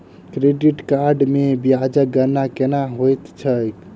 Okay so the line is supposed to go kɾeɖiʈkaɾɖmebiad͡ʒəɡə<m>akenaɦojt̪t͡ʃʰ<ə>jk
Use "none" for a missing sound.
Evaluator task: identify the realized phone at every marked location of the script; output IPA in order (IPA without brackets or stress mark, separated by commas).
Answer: n, ə